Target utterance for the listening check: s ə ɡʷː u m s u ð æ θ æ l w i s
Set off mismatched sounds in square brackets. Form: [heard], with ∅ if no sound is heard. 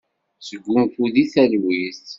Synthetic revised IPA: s ə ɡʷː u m [f] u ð [i] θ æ l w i [θ]